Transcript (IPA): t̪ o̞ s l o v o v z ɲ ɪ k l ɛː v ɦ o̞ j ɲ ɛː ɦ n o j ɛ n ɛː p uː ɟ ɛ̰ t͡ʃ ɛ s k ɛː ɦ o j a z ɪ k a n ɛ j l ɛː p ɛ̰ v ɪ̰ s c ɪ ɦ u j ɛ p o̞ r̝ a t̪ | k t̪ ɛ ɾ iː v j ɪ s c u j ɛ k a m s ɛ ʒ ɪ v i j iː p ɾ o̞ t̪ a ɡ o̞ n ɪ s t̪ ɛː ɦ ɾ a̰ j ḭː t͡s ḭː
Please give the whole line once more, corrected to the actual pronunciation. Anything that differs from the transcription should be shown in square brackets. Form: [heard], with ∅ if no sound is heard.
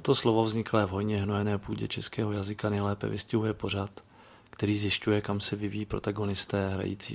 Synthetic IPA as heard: t̪ o̞ s l o v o v z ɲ ɪ k l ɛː v ɦ o̞ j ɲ [ɛ] ɦ n o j ɛ n ɛː p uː ɟ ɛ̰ t͡ʃ ɛ s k ɛː ɦ o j a z ɪ k a n ɛ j l ɛː p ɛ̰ v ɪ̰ s c ɪ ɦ u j ɛ p o̞ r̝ a t̪ | k t̪ ɛ ɾ iː [z] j ɪ s c u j ɛ k a m s ɛ [v] ɪ v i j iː p ɾ o̞ t̪ a ɡ o̞ n ɪ s t̪ ɛː ɦ ɾ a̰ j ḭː t͡s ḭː